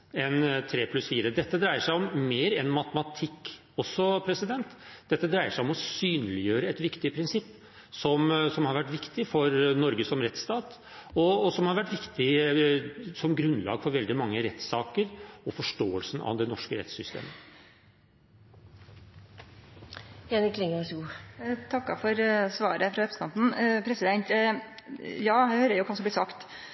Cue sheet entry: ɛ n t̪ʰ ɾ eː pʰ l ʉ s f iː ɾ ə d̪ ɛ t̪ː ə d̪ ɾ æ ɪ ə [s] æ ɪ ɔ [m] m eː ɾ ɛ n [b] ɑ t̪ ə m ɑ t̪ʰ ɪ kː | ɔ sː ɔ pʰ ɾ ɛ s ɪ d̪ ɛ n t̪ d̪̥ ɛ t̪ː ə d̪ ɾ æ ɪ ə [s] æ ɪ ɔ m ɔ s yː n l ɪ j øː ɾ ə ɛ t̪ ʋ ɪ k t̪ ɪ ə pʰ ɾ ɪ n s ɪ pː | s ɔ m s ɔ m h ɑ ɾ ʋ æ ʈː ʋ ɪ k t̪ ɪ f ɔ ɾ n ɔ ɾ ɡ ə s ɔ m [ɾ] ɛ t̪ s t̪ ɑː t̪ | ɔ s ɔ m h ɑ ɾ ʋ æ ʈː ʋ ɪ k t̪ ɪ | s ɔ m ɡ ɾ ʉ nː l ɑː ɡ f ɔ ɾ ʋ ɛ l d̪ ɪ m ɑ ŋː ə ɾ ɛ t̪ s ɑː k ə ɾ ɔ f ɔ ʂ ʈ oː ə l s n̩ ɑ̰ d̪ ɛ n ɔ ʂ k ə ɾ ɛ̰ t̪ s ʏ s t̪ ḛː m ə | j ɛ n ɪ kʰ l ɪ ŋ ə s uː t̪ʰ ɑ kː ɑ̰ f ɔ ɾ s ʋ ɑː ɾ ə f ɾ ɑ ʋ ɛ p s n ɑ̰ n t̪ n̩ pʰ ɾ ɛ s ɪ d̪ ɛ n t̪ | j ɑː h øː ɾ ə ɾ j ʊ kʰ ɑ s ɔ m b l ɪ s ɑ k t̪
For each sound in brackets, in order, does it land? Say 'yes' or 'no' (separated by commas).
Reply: no, yes, no, no, yes